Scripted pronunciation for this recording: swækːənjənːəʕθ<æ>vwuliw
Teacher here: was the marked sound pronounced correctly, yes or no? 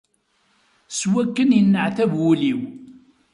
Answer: yes